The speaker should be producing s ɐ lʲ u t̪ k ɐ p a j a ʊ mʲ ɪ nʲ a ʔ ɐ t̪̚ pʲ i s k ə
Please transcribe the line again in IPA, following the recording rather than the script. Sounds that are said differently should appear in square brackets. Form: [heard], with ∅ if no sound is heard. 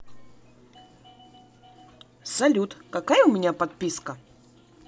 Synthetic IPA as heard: s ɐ lʲ u t̪ k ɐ [k] a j [ə] ʊ mʲ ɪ nʲ a [p] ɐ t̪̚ pʲ i s k ə

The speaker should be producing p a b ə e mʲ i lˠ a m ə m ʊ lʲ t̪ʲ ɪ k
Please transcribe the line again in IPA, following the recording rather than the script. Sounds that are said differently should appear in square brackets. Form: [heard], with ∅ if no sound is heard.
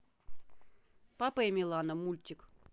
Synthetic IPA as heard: p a [p] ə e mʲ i lˠ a [n] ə m [u] lʲ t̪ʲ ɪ k

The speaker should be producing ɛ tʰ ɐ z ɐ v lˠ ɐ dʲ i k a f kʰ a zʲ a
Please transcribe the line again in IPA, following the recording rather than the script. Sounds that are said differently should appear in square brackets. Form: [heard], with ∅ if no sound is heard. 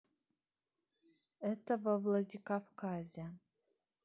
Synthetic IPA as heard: ɛ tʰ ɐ [v] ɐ v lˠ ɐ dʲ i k a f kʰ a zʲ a

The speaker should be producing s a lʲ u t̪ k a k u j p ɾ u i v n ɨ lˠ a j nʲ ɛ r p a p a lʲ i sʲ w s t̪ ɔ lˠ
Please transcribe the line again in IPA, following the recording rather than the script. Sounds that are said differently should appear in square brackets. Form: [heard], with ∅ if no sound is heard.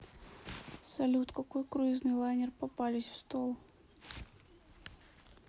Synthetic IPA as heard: s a lʲ u t̪ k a k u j [k] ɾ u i [z] n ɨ lˠ a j nʲ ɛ r p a p a lʲ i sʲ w s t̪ ɔ lˠ

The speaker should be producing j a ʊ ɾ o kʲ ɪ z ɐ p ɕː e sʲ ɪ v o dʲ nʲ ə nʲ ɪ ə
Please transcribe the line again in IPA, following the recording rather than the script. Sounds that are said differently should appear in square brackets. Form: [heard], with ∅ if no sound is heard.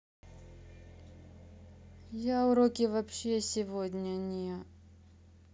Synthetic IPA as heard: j a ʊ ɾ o kʲ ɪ [v] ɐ p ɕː e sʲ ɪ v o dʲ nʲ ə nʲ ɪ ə

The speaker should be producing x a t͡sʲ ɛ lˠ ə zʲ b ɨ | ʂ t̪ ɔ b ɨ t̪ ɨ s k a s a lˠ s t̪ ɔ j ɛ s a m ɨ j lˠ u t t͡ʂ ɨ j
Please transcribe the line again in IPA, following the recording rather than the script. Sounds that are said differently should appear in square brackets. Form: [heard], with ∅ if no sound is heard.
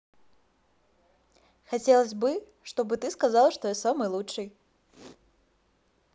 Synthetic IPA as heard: x a t͡sʲ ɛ lˠ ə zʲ b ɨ | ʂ t̪ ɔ b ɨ t̪ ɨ s k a [z] a lˠ [ʂ] t̪ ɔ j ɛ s a m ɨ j lˠ u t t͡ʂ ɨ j

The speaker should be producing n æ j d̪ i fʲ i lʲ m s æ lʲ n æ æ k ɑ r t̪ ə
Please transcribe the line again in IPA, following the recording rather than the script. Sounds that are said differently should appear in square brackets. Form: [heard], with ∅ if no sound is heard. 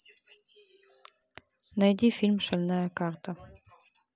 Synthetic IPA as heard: n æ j d̪ i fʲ i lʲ m [ʃ] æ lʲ n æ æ k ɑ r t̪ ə

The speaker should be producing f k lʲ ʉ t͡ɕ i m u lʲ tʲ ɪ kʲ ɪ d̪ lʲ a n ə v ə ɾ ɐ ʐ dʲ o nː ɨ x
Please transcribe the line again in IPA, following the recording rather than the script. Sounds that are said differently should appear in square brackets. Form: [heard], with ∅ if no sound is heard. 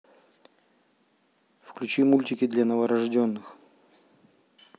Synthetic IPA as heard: f k lʲ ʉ t͡ɕ i m u lʲ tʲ ɪ kʲ ɪ d̪ lʲ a n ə v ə ɾ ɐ ʐ dʲ o nː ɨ x

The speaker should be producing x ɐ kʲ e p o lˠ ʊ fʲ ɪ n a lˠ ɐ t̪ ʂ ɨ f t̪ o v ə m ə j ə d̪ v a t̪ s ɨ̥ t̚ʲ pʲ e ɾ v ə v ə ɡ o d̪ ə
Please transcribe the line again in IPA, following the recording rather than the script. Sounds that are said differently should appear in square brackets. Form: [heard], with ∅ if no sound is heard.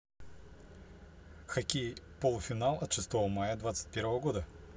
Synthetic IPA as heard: x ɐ kʲ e p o lˠ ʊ fʲ ɪ n a lˠ ɐ t̪ ʂ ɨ [s] t̪ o v ə m [a] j ə d̪ v a t̪ s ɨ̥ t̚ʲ pʲ e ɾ v ə v ə ɡ o d̪ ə

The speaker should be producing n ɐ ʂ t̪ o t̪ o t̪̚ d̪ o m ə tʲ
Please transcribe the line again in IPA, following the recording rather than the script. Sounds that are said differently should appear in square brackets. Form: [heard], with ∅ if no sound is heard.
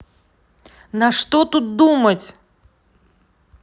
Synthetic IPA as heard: n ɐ ʂ t̪ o t̪ [u] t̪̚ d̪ [u] m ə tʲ

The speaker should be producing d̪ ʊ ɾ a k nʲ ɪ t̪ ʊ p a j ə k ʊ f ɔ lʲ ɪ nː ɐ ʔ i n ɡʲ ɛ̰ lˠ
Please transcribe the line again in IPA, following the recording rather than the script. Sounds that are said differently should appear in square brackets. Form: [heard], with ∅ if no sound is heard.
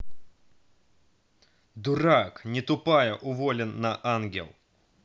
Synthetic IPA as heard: d̪ ʊ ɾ a k nʲ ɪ t̪ ʊ p a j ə [ʔ] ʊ [v] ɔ lʲ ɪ nː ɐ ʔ [a] n ɡʲ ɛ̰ lˠ

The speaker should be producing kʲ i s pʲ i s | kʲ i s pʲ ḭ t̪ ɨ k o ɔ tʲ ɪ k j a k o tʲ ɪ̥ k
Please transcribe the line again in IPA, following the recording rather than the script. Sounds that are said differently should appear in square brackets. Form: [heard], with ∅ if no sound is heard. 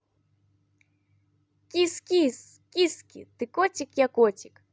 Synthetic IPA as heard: kʲ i s [kʲ] i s | kʲ i s [kʲ] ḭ t̪ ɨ k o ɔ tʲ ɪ k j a k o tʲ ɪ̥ k

